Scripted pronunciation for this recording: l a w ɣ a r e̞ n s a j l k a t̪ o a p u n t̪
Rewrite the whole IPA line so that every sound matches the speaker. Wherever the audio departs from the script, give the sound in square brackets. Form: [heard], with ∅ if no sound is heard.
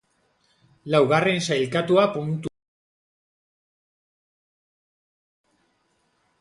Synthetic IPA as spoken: l a w ɣ a r e̞ n s a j l k a t̪ [u] a p u n t̪